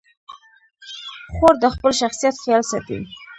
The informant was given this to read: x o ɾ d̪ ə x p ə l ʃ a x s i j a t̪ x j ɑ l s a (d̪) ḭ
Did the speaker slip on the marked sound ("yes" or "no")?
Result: yes